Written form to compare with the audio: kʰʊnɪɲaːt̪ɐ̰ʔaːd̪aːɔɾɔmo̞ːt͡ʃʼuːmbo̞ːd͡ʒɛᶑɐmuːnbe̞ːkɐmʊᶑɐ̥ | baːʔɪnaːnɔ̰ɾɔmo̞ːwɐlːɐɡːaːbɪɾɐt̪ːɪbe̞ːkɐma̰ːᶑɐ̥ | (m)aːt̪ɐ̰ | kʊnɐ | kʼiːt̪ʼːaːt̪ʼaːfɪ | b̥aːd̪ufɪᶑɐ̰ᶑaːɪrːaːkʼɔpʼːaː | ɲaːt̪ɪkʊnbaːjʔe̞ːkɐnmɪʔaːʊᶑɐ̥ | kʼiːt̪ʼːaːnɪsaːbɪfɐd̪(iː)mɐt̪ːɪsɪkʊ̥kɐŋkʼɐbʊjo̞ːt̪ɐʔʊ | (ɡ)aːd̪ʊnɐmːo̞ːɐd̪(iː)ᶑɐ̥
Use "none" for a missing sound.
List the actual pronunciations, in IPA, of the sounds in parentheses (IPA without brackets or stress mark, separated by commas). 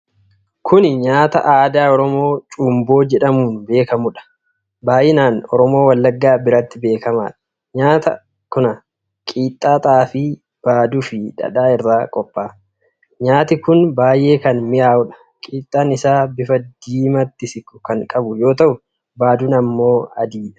ɲ, iː, b, iː